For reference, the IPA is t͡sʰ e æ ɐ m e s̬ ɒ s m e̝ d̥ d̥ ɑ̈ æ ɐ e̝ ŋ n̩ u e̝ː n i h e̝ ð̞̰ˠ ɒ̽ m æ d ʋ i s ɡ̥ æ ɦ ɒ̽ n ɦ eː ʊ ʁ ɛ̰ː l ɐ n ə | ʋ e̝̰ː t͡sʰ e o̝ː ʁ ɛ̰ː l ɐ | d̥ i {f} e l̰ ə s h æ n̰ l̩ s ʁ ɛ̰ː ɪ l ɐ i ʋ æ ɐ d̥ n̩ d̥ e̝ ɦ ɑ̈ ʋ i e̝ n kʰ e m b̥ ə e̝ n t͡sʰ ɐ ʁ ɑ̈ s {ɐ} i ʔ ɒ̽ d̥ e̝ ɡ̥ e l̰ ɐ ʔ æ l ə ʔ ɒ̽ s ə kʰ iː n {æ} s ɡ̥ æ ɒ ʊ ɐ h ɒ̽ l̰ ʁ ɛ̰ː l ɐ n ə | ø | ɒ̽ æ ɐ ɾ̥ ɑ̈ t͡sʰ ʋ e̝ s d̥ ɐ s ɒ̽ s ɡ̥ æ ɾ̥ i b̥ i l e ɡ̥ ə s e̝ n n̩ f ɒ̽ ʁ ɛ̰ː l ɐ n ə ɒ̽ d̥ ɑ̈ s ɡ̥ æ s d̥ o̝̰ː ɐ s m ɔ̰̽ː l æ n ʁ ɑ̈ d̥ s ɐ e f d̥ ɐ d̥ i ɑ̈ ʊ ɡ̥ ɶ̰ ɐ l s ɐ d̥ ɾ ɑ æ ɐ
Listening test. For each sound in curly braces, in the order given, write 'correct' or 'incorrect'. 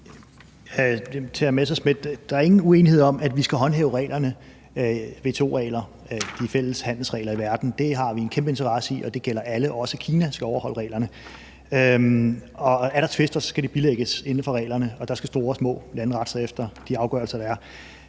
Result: correct, incorrect: ə, correct

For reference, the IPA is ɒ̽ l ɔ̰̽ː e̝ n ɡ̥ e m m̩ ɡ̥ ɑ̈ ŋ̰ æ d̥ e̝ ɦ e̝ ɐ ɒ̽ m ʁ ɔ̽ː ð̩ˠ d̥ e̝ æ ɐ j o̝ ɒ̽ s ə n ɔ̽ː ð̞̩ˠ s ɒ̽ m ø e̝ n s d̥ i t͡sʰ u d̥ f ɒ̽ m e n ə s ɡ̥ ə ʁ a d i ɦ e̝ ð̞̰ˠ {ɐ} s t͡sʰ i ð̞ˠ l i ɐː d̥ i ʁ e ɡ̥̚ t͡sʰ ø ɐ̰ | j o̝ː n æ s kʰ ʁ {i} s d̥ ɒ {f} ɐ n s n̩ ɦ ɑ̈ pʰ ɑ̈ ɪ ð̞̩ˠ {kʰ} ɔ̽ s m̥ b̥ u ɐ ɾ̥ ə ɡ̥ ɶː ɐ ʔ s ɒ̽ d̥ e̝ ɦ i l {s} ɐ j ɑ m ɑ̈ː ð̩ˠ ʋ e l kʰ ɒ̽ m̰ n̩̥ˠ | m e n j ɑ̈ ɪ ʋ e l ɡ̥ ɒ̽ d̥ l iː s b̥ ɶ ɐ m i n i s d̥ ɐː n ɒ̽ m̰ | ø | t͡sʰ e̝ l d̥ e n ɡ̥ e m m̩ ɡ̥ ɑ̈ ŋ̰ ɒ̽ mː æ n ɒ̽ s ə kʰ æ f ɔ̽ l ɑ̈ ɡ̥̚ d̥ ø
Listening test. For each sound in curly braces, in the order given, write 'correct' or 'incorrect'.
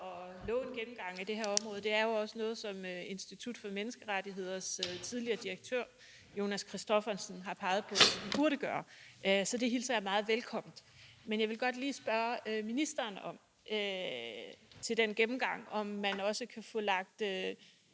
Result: correct, correct, correct, incorrect: pʰ, correct

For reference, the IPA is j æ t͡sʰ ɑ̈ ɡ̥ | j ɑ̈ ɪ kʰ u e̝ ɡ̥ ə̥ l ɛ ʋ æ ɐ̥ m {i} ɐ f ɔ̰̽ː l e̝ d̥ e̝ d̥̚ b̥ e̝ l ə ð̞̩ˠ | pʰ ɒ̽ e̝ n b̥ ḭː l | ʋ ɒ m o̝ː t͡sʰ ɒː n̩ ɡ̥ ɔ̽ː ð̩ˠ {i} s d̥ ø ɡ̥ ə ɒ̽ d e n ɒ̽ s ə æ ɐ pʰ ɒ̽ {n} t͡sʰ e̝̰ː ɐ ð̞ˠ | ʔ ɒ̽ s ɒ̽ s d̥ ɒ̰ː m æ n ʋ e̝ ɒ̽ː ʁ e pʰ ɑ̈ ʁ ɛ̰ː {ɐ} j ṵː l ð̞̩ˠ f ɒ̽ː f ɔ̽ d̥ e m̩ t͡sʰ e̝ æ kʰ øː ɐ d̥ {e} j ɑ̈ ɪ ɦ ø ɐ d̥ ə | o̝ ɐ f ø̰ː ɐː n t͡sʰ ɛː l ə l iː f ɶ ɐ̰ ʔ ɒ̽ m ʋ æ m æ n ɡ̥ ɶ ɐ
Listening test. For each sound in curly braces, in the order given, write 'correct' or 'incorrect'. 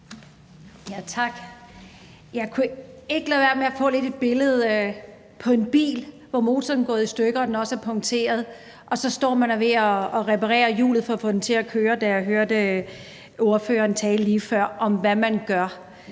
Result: incorrect: e, correct, incorrect: ŋ, correct, incorrect: æ

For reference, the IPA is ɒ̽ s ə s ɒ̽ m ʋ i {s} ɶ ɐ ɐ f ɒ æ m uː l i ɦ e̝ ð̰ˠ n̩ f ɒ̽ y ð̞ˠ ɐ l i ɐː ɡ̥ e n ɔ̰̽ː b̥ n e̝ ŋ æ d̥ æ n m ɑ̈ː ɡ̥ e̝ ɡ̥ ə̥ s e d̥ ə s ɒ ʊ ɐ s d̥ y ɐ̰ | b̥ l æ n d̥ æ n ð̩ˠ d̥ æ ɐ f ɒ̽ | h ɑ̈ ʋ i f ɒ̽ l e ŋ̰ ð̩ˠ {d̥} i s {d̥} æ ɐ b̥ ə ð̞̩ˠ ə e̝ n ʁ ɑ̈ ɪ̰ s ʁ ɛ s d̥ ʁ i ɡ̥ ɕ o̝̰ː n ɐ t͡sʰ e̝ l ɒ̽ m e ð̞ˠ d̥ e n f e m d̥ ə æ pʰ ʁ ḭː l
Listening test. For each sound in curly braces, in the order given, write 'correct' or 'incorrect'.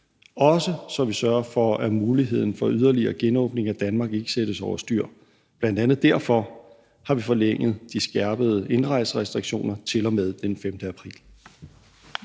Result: correct, correct, incorrect: ɡ̥

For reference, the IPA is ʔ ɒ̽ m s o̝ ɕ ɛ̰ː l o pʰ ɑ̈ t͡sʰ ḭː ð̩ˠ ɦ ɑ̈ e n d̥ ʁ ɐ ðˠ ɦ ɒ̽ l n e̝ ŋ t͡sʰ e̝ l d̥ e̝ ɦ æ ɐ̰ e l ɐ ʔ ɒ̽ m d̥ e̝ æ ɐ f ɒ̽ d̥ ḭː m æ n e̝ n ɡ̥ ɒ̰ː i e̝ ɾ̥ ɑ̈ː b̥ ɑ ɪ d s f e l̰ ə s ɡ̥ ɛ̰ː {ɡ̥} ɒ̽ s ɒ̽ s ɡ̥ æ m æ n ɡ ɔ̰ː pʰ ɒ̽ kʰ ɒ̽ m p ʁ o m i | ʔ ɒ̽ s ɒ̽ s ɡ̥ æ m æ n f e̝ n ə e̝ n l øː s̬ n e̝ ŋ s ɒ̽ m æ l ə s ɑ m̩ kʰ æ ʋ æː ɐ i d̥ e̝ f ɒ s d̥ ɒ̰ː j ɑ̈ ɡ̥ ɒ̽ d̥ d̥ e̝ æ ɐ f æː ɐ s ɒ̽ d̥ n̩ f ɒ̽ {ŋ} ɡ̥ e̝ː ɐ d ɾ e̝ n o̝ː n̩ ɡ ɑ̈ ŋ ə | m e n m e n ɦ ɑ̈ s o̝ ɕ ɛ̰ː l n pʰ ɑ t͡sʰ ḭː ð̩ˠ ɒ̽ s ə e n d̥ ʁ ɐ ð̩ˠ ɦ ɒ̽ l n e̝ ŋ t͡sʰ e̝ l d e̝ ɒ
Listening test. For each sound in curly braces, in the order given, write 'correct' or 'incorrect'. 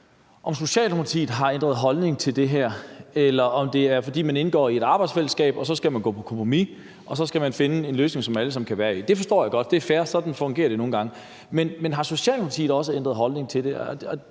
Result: incorrect: b̥, correct

